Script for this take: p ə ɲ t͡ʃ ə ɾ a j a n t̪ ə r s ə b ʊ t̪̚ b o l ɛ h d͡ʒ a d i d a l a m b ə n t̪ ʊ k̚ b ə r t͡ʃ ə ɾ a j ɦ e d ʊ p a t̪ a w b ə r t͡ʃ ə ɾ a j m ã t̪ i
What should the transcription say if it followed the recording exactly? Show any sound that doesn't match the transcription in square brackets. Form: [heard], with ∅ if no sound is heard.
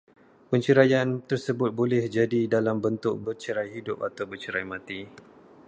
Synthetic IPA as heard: p ə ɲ t͡ʃ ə ɾ a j a n t̪ ə r s ə b ʊ t̪̚ b o l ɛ h d͡ʒ a d i d a l a m b ə n t̪ ʊ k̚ b ə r t͡ʃ ə ɾ a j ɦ [i] d ʊ p a t̪ a w b ə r t͡ʃ ə ɾ a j m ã t̪ i